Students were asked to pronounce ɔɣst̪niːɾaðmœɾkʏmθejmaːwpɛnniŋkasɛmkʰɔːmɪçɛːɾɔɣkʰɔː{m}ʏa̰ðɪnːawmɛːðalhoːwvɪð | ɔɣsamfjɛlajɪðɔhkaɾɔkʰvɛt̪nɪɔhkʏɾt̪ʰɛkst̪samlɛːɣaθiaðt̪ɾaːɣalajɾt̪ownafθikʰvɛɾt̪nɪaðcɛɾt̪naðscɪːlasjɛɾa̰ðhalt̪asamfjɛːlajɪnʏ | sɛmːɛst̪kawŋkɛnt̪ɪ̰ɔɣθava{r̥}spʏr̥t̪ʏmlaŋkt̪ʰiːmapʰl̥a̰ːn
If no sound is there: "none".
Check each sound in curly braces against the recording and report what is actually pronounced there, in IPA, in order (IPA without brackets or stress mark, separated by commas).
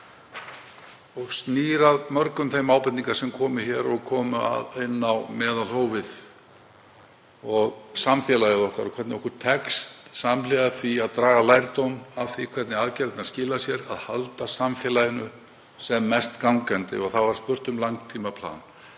m, ɾ̥